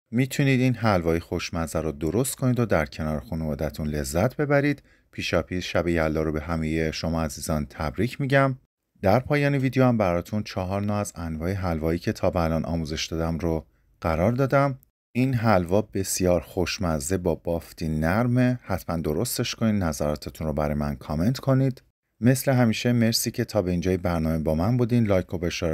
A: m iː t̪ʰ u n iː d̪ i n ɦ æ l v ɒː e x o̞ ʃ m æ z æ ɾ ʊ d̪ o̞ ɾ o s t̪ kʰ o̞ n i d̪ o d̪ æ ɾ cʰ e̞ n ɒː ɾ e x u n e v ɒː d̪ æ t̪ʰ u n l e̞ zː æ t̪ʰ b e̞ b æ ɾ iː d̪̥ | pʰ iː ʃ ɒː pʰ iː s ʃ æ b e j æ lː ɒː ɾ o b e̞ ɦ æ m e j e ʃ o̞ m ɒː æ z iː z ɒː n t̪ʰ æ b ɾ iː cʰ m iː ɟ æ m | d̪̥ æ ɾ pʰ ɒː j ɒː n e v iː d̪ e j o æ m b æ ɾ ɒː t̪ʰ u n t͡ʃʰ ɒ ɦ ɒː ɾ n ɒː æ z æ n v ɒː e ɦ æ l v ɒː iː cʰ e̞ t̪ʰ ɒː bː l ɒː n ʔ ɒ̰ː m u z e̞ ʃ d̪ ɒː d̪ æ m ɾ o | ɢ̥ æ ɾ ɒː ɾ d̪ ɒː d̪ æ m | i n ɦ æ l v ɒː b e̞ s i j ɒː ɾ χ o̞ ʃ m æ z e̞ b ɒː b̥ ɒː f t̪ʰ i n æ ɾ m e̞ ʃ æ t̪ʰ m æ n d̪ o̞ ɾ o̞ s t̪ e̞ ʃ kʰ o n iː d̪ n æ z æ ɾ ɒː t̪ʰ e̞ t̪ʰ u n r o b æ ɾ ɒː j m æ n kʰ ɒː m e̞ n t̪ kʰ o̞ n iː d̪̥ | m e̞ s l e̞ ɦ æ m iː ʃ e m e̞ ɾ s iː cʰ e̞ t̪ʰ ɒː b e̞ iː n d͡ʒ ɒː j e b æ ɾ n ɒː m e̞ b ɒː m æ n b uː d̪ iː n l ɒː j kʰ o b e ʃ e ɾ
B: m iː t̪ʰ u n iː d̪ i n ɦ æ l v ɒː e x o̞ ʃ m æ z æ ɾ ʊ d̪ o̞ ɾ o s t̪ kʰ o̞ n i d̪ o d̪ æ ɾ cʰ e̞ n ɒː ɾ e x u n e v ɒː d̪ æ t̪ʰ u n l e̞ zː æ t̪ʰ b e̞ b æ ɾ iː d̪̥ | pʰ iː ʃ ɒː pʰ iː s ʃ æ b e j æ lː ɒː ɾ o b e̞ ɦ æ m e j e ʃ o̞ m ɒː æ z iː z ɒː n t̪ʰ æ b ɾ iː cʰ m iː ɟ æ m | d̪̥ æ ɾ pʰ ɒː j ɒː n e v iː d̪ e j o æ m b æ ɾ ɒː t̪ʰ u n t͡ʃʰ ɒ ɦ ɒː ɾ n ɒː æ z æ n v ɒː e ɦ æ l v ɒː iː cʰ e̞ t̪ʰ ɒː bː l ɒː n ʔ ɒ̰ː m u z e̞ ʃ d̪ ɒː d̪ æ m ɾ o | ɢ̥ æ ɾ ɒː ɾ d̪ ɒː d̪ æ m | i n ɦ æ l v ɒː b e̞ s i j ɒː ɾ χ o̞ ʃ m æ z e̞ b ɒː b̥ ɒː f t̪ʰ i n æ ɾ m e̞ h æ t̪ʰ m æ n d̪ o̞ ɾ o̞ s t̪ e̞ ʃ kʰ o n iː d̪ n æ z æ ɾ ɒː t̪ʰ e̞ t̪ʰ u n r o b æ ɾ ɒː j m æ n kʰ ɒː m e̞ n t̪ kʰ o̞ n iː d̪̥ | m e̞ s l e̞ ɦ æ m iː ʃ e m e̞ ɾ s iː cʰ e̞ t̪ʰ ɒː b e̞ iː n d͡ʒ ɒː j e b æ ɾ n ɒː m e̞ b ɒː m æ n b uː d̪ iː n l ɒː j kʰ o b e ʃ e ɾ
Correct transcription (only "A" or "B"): B